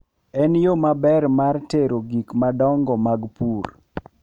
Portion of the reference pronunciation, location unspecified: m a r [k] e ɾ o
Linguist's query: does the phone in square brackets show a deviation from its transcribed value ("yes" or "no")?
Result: yes